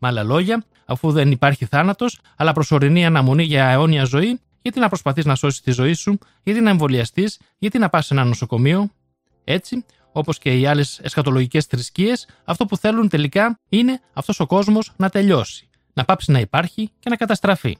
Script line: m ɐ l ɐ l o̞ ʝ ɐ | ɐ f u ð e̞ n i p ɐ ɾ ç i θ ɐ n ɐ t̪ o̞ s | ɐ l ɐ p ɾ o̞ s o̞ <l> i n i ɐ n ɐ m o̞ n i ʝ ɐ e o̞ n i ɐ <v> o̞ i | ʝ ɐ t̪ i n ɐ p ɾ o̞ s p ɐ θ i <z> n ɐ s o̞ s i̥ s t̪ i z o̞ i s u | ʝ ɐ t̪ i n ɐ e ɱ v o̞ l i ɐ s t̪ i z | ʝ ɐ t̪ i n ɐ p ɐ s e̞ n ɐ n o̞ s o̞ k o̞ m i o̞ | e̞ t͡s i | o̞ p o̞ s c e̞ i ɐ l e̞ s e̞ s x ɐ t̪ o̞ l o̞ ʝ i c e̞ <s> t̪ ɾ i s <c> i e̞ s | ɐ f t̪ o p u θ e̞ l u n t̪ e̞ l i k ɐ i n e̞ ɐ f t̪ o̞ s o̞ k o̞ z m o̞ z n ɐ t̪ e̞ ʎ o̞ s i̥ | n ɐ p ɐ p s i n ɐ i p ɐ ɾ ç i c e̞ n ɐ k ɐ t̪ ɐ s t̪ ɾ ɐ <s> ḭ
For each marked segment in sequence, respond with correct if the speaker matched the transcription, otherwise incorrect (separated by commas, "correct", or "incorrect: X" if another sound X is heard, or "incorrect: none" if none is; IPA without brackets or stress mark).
incorrect: ɾ, incorrect: z, correct, correct, correct, incorrect: f